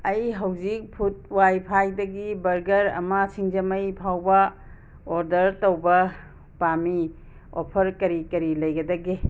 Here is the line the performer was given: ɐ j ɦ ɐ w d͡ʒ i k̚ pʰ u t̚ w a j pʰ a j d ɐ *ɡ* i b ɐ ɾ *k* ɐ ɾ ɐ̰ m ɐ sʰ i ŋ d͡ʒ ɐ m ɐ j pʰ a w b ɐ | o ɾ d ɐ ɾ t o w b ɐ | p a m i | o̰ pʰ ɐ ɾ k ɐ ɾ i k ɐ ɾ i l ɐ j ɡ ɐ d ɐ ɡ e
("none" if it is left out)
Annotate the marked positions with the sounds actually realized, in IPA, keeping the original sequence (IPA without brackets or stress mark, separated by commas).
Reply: ɡ, ɡ